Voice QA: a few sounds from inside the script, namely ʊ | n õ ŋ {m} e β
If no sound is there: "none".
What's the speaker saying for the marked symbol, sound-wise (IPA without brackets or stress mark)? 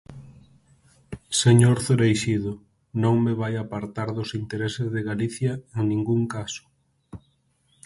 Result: m